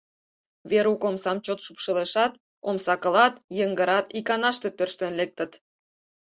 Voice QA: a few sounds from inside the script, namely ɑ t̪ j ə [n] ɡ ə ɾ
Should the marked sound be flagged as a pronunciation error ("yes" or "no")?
yes